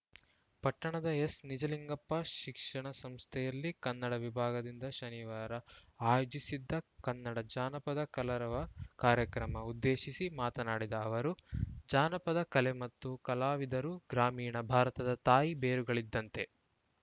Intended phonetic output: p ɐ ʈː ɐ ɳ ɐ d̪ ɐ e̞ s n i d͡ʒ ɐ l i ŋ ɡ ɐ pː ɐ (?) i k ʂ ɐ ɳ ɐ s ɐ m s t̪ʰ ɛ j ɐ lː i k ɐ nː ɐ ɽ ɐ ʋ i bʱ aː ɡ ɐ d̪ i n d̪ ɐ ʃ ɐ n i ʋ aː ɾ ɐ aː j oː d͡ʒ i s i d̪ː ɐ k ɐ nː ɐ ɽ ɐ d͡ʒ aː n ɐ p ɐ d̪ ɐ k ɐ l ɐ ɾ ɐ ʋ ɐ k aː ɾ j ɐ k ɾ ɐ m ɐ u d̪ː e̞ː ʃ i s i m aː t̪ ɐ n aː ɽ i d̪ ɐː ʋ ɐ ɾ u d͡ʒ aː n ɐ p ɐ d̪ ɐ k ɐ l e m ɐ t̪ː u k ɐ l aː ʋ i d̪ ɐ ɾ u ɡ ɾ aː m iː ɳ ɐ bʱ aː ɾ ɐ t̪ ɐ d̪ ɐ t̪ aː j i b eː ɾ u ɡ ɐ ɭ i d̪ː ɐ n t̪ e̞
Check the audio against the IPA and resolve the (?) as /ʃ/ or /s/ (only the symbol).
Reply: ʃ